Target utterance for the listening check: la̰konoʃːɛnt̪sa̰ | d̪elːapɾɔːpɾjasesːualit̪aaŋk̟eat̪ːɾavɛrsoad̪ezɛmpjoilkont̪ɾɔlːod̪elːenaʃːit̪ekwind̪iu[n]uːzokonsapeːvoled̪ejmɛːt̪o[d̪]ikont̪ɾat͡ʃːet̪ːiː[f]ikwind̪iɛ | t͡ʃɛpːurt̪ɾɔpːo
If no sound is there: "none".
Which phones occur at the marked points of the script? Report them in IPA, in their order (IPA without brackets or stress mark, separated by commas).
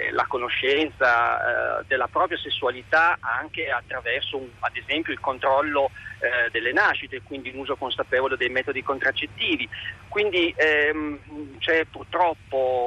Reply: n, d̪, v